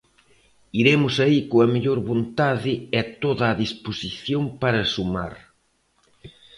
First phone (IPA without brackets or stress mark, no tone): i